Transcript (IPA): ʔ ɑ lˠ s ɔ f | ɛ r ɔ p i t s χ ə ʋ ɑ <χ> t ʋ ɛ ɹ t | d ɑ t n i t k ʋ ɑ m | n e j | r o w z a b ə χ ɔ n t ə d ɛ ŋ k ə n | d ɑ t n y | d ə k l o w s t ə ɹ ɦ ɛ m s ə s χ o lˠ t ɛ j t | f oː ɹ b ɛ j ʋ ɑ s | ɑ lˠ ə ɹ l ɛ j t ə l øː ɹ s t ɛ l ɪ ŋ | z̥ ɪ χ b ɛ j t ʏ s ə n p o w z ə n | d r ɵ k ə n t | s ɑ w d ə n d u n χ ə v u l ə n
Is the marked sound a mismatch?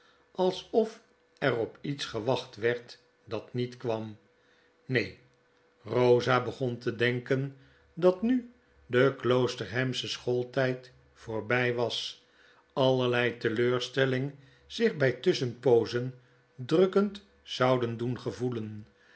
no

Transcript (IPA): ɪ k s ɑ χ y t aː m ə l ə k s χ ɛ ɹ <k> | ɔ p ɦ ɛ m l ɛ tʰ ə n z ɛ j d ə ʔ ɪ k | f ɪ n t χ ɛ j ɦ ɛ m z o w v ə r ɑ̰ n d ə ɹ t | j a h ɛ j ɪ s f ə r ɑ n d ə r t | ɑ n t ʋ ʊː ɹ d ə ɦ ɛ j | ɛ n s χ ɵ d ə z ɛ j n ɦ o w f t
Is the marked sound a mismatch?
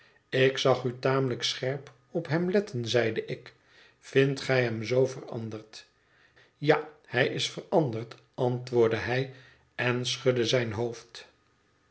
yes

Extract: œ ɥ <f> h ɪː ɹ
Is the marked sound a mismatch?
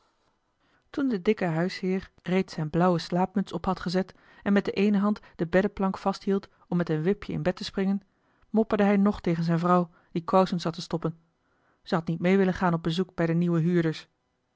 yes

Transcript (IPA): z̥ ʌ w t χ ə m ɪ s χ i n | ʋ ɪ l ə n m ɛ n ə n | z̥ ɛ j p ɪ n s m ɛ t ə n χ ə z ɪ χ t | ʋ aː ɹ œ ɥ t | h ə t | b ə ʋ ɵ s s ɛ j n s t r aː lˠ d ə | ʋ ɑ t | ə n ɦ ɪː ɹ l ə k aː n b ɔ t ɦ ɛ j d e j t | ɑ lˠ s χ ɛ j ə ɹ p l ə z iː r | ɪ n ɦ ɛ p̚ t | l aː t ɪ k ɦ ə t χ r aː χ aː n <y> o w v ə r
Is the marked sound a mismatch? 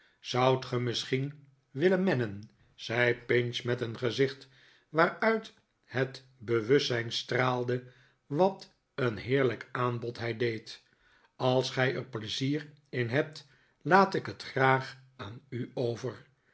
no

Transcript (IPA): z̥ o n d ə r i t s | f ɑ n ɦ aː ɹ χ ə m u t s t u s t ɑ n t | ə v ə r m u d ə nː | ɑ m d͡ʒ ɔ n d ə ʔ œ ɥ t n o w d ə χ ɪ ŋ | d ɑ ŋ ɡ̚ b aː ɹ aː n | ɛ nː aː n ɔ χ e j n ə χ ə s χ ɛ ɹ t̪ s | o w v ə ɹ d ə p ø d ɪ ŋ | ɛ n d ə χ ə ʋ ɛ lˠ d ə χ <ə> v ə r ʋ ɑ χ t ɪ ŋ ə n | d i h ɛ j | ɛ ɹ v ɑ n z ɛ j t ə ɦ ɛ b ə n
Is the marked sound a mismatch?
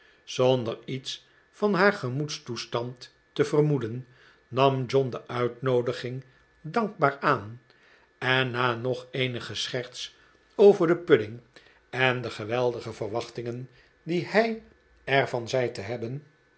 no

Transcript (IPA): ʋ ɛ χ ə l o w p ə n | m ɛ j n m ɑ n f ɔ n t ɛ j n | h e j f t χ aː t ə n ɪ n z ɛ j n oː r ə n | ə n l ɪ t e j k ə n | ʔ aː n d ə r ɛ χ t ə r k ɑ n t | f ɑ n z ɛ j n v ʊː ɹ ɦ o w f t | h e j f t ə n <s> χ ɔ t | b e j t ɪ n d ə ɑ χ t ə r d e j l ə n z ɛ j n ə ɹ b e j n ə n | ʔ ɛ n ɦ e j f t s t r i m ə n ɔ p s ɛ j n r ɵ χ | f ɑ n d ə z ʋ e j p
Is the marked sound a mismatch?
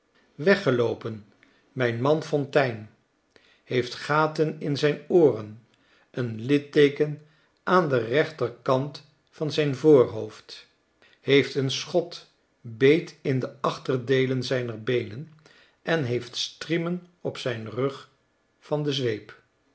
no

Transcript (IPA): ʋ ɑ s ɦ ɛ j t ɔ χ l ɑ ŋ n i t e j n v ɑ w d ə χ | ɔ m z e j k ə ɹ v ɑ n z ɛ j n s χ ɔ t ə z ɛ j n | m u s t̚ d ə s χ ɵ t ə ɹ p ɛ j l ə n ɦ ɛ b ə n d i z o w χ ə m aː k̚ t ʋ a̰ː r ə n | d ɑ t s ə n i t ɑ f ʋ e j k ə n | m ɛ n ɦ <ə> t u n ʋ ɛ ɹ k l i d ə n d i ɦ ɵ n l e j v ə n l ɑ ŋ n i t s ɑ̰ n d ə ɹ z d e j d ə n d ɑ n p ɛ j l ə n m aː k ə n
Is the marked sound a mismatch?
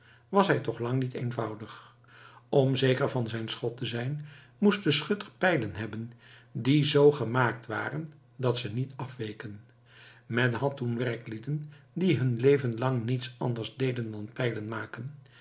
yes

